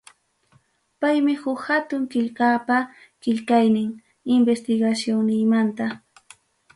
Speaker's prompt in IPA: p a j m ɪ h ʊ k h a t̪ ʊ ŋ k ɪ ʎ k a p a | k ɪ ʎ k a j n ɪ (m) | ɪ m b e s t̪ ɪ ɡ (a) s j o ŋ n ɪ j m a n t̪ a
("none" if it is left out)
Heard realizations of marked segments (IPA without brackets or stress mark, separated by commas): ŋ, a